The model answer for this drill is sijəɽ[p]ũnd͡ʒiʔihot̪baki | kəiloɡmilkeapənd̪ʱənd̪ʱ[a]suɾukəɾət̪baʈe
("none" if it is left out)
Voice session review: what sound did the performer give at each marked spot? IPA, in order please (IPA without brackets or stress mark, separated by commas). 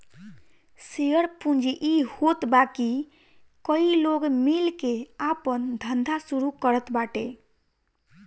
p, a